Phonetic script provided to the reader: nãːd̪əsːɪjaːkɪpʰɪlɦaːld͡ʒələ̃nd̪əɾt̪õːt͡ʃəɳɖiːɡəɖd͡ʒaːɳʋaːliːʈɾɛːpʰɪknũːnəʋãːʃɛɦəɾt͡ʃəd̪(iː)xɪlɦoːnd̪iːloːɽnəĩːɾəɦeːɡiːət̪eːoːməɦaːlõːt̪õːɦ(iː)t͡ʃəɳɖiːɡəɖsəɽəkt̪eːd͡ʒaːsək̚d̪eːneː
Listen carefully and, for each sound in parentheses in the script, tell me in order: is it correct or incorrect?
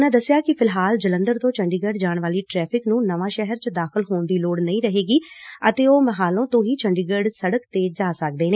incorrect, correct

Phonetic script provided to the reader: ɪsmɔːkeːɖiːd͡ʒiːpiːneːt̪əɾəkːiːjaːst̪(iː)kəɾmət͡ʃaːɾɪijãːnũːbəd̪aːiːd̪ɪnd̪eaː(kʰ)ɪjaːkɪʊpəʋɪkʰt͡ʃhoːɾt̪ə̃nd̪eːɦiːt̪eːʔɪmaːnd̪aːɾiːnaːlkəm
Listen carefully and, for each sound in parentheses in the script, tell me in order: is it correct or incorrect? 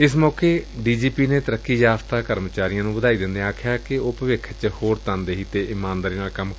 incorrect, correct

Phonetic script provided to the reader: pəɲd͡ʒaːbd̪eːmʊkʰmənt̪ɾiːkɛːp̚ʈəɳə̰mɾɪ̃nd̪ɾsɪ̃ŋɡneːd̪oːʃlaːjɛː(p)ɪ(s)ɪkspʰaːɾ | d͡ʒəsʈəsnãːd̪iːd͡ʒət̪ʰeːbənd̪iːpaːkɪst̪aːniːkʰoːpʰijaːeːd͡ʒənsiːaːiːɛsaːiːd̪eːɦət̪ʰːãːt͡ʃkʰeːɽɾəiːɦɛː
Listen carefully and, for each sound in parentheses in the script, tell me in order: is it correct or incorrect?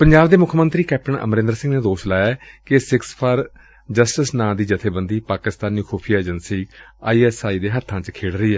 incorrect, correct

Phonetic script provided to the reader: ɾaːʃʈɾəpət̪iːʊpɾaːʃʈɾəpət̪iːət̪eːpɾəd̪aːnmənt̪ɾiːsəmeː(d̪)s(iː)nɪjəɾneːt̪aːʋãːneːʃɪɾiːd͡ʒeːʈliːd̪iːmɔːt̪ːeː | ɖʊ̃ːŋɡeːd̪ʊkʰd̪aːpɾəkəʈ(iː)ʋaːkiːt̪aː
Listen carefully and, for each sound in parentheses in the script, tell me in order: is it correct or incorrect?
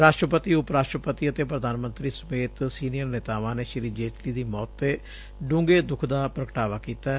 incorrect, correct, incorrect

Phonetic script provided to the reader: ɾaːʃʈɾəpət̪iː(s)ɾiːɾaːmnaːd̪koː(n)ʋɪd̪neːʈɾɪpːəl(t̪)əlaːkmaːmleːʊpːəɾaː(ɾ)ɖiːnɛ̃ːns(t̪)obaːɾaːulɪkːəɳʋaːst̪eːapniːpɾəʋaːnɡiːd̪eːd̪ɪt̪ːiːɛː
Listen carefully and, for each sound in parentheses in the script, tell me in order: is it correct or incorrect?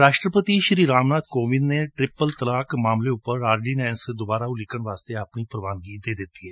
incorrect, incorrect, correct, correct, incorrect

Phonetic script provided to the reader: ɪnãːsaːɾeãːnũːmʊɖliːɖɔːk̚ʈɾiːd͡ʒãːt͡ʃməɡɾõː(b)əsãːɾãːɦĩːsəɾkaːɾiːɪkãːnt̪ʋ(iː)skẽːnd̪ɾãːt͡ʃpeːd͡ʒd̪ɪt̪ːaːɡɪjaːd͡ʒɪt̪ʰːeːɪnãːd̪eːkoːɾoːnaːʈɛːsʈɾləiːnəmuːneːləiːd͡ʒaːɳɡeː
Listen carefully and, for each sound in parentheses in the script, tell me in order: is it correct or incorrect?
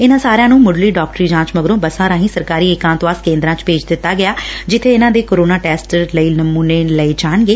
correct, incorrect

